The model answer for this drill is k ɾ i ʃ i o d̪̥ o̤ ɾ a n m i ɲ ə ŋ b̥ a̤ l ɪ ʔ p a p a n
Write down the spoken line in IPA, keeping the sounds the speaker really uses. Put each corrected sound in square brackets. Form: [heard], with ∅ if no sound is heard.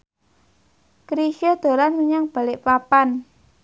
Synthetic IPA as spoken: k ɾ i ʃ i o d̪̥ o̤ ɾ a n m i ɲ [a] ŋ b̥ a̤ l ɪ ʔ p a p a n